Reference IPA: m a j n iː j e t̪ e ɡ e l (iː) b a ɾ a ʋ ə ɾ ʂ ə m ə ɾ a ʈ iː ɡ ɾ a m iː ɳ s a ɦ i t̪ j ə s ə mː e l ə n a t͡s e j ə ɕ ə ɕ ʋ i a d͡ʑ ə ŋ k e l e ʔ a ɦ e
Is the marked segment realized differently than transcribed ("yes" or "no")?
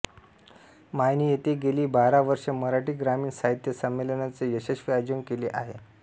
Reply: no